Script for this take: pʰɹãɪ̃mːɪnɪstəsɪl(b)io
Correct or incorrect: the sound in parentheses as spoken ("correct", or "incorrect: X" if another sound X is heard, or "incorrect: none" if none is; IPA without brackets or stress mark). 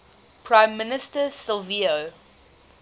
incorrect: v